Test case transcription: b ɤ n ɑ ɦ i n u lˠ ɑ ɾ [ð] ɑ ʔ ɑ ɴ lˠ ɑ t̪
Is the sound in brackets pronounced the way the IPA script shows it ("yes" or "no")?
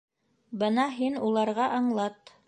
no